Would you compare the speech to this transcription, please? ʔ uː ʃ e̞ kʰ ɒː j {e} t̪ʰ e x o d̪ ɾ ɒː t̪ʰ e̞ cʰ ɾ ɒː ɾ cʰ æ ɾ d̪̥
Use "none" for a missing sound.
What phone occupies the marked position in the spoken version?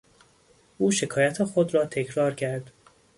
æ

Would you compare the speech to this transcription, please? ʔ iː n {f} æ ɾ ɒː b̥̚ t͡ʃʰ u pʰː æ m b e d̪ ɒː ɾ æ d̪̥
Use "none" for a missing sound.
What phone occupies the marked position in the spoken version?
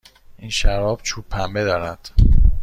ʃ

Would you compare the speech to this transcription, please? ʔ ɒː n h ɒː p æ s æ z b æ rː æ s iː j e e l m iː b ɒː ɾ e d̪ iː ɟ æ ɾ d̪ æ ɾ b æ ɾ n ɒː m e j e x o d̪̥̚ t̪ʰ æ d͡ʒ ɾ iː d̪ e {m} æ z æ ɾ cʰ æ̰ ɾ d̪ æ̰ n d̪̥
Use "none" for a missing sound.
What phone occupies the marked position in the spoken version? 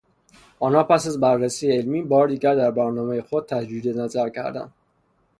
n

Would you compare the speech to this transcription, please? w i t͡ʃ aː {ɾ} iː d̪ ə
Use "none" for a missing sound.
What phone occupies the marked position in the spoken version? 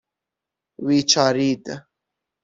ɾ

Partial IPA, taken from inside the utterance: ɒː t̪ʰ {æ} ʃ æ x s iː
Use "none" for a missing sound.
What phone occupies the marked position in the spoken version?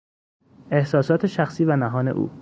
e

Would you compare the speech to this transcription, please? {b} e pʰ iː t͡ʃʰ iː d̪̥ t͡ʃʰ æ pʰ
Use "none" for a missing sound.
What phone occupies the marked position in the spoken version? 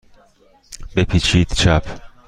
b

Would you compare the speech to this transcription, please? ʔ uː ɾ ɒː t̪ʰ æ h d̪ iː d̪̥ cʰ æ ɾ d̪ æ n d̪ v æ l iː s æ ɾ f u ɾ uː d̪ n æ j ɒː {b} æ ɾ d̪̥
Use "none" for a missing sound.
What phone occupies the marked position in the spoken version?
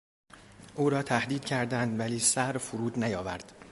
v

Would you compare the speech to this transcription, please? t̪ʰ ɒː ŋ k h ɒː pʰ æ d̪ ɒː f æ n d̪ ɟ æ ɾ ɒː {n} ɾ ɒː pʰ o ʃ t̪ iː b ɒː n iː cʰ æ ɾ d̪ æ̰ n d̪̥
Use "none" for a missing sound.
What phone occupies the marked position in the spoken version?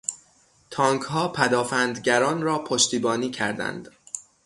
n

